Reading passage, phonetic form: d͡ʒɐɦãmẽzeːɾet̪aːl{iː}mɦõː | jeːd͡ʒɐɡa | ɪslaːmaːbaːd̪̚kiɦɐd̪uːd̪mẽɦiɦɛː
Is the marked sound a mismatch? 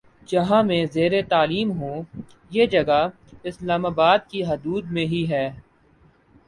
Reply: no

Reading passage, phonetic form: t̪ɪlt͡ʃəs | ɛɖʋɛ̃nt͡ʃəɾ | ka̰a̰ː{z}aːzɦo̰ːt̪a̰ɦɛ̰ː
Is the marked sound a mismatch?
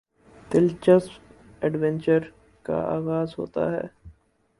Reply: yes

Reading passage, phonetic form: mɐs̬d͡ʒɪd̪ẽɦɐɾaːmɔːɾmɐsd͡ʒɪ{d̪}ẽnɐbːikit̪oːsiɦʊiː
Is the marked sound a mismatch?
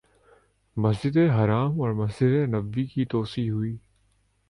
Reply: no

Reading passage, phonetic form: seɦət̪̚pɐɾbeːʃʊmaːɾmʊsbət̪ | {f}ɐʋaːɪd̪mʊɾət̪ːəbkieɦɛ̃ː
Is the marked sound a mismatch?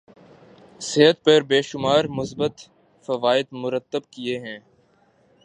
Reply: no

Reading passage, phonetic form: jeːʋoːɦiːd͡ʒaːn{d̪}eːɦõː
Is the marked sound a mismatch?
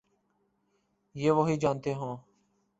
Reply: yes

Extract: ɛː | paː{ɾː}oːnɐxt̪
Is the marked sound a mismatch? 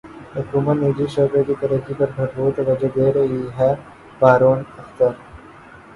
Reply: yes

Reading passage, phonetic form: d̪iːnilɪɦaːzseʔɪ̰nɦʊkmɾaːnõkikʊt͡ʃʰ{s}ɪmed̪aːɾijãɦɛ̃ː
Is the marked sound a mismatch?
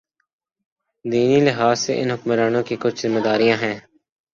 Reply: yes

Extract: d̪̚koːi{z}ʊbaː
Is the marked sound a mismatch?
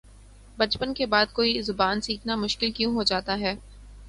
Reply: no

